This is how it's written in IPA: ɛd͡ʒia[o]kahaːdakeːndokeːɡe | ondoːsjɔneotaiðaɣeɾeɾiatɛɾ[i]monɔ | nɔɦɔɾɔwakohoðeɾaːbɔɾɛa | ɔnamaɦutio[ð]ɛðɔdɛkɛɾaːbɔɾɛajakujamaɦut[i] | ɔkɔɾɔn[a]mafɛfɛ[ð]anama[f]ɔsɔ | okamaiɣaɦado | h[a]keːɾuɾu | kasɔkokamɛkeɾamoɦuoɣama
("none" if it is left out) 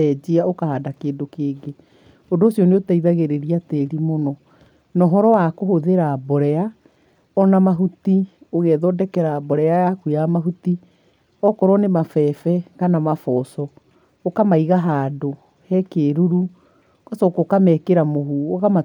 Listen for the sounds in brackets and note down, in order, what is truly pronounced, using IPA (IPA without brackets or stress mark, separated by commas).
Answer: o, i, ɣ, i, e, ɣ, f, ɛ